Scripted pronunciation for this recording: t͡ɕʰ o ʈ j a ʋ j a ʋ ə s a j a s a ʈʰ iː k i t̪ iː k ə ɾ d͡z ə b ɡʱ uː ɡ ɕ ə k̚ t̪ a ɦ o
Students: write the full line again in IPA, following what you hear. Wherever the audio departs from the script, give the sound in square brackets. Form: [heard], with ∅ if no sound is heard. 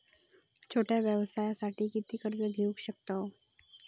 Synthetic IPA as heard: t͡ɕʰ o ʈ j a ʋ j [ə] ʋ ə s a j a s a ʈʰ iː k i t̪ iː k ə ɾ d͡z ə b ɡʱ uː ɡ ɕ ə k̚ t̪ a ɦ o